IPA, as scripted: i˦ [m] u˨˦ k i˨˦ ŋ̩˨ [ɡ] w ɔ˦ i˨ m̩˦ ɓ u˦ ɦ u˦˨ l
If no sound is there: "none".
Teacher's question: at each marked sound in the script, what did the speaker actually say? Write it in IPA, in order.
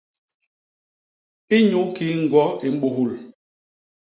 ɲ, ɡ

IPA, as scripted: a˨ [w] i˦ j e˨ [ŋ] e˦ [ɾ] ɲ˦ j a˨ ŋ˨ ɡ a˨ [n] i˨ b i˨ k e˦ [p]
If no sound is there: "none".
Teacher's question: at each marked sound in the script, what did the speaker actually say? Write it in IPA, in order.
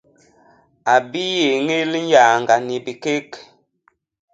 b, ŋ, l, n, k

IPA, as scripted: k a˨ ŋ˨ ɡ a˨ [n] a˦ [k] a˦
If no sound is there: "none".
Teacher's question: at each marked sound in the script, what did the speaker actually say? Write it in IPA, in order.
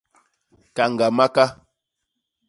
m, k

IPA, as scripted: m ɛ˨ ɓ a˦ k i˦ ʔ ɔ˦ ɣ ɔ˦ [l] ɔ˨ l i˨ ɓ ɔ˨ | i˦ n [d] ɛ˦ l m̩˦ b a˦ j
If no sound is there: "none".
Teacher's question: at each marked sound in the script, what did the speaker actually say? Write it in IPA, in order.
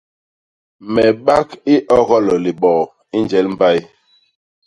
l, d͡ʒ

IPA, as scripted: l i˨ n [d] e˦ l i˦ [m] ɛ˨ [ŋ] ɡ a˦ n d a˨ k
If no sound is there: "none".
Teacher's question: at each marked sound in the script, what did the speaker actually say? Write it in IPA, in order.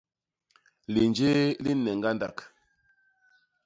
d͡ʒ, n, ŋ

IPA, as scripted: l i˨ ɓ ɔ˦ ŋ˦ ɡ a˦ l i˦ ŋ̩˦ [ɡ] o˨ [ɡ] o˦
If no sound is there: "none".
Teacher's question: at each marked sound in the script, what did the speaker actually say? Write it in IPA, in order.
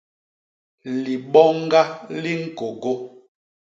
k, ɡ

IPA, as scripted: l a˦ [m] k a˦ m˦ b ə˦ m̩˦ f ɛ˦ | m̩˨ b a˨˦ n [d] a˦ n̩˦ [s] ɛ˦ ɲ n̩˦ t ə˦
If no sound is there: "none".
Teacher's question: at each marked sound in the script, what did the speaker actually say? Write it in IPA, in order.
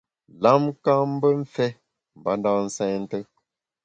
m, d, s

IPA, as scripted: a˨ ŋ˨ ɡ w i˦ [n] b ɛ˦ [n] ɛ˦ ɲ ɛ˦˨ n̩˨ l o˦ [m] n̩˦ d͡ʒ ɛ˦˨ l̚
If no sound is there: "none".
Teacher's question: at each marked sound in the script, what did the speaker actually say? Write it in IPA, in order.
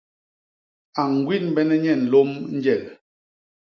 n, n, m

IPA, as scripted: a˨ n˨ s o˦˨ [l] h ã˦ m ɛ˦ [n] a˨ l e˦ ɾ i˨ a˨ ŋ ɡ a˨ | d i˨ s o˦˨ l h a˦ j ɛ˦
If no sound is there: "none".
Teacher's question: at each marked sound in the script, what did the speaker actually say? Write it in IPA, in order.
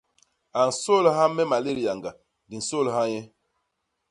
l, m

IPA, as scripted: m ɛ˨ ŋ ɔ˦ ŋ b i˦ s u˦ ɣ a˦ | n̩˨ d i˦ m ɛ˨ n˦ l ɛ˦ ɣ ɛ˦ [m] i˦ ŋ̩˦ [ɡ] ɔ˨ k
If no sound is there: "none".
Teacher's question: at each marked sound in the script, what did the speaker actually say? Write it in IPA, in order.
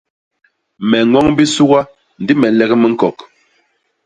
m, k

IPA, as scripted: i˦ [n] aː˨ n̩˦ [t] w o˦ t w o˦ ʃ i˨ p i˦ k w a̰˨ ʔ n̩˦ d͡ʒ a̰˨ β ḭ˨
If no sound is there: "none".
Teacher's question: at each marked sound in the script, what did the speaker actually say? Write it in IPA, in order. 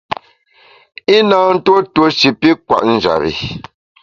n, t

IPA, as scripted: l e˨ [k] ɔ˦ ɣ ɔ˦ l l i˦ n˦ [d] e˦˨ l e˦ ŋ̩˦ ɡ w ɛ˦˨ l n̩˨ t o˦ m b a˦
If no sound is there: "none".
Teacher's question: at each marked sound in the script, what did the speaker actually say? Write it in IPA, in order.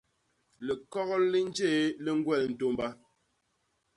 k, d͡ʒ

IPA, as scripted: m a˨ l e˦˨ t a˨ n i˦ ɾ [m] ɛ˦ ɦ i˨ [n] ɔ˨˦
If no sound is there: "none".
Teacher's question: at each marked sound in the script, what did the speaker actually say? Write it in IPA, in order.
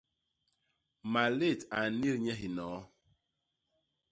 ɲ, n

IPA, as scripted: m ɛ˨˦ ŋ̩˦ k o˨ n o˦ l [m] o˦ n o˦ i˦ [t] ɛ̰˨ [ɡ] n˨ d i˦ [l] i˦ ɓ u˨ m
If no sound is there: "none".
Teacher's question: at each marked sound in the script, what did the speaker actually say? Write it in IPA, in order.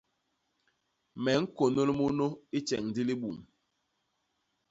m, t͡ʃ, ŋ, l

